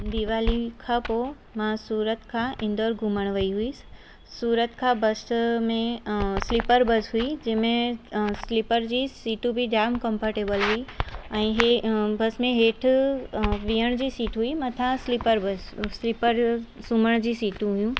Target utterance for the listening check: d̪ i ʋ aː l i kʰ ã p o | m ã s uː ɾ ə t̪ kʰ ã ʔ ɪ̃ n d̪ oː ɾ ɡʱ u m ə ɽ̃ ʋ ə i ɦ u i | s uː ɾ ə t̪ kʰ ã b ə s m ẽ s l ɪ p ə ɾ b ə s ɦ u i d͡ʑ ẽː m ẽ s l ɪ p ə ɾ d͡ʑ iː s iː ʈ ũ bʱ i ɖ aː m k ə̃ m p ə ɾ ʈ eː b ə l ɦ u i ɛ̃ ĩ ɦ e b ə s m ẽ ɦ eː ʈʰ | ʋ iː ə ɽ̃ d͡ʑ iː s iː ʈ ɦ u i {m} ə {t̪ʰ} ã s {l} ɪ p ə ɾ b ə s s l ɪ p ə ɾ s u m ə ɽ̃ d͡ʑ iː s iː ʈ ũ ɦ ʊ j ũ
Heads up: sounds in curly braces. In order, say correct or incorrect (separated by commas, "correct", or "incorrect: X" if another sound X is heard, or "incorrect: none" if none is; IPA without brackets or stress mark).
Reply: correct, correct, correct